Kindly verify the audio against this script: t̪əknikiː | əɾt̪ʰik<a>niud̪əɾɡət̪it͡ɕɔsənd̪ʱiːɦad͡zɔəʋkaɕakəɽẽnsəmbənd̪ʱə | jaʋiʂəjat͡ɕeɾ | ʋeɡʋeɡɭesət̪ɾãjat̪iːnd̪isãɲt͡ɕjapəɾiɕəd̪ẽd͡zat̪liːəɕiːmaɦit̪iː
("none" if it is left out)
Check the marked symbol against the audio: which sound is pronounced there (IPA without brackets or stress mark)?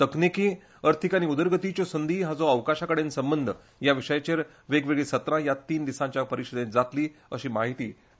a